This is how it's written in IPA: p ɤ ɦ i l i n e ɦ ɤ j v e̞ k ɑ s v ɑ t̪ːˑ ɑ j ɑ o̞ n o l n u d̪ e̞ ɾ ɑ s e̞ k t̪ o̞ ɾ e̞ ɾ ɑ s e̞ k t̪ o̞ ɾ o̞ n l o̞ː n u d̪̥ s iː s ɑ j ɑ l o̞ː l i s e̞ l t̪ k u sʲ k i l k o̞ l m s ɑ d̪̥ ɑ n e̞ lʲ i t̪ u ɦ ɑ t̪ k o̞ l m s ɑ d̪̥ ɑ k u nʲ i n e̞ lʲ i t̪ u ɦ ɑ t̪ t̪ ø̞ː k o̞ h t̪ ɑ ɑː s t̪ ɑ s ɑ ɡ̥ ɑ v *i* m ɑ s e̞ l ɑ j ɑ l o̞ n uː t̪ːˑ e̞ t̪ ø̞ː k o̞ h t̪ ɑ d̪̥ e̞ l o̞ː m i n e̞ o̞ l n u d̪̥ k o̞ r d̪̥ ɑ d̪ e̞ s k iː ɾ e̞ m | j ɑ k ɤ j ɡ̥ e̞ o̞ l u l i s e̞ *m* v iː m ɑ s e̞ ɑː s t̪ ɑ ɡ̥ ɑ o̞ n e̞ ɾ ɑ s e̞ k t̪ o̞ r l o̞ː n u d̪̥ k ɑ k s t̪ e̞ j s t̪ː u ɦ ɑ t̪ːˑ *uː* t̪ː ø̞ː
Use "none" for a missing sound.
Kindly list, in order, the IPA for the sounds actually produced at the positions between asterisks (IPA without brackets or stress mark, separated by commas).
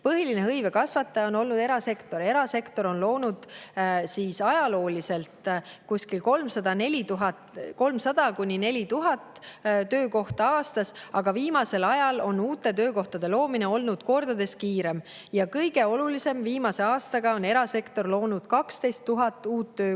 iː, m, uː